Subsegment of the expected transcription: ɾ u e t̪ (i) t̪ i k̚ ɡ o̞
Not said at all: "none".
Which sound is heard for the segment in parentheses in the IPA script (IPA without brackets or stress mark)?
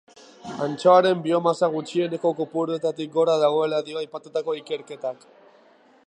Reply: a